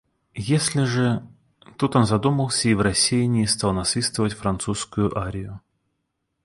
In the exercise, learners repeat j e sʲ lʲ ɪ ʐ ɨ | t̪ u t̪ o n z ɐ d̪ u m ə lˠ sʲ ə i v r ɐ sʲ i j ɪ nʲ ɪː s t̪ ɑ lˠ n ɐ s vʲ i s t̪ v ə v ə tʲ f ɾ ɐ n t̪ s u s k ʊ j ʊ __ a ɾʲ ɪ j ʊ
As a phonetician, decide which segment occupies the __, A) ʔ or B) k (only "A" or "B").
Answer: A